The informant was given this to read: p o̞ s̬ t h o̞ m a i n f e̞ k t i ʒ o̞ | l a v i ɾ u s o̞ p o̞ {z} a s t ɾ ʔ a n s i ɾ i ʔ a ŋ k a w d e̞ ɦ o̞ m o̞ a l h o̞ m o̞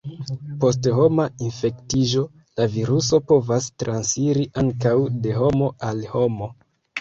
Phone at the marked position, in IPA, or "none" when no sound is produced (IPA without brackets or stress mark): v